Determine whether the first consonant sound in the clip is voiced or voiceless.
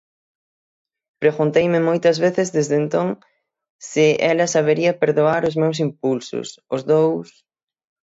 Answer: voiceless